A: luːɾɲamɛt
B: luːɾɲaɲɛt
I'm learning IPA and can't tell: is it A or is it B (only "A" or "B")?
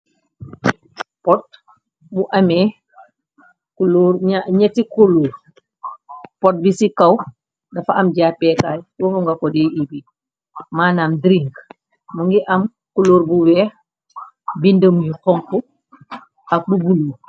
B